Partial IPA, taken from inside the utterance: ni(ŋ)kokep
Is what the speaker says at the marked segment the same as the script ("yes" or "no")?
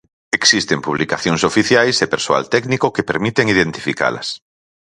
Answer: no